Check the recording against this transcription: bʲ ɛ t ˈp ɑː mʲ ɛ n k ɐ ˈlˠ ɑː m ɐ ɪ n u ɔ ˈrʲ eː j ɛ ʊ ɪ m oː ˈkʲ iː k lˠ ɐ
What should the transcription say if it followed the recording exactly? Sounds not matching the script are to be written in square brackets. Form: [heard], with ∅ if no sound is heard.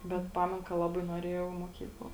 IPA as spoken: bʲ ɛ t ˈp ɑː mʲ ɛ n k ɐ ˈlˠ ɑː [b] ɐ ɪ n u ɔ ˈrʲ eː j ɛ ʊ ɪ m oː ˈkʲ iː k lˠ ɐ